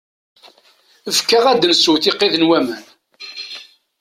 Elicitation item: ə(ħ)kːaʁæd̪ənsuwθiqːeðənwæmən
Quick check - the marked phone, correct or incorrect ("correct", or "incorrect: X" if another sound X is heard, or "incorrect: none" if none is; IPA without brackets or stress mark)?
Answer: incorrect: f